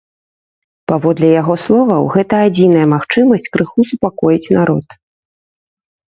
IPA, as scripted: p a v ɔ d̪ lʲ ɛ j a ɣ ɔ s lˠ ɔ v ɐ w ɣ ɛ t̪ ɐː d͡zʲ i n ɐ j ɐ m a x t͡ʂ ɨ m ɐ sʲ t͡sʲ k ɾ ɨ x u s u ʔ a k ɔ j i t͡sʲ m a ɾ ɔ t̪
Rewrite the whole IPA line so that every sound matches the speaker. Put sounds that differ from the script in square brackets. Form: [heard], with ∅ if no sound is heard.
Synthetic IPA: p a v ɔ d̪ lʲ ɛ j a ɣ ɔ s lˠ ɔ v ɐ w ɣ ɛ t̪ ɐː d͡zʲ i n ɐ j ɐ m a x t͡ʂ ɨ m ɐ sʲ t͡sʲ k ɾ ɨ x u s u [p] a k ɔ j i t͡sʲ [n] a ɾ ɔ t̪